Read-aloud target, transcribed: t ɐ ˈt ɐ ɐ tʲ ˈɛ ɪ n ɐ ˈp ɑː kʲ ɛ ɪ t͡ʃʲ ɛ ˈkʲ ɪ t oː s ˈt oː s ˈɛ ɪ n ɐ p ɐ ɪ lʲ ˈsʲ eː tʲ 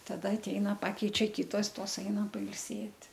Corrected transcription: t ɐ ˈd ɐ ɐ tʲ ˈɛ ɪ n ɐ ˈp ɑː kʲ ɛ ɪ t͡ʃʲ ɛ ˈkʲ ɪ t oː s ˈt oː s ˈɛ ɪ n ɐ p ɐ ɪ lʲ ˈsʲ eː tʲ